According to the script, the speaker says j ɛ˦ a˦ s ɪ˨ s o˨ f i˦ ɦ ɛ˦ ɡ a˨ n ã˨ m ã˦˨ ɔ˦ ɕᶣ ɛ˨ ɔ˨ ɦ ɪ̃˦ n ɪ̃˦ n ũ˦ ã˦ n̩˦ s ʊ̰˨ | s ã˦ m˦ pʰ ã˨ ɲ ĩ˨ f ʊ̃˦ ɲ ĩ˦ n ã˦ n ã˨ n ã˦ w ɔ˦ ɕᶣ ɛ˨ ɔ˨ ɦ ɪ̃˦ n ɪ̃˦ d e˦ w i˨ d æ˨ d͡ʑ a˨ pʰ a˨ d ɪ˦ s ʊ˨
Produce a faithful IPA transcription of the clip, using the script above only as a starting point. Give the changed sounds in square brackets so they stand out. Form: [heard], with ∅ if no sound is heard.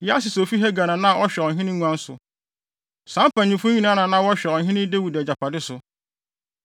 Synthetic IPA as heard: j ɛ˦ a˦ s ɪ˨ s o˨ f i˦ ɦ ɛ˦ ɡ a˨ n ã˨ [n] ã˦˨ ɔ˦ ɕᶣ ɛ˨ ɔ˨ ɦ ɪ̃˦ n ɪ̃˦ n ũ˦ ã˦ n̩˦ s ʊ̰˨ | s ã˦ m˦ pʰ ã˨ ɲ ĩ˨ f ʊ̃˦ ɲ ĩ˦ n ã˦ n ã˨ n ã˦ w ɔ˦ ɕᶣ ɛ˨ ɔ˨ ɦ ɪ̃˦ n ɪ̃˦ d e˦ w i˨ d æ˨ d͡ʑ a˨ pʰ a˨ d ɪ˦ s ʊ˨